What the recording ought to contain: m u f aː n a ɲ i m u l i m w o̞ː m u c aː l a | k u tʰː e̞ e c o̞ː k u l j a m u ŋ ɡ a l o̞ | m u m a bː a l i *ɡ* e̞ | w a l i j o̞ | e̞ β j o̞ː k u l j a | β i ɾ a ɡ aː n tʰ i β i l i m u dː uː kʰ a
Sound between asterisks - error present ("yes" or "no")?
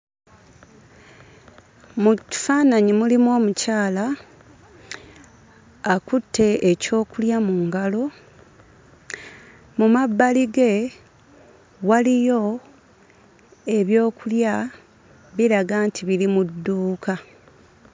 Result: no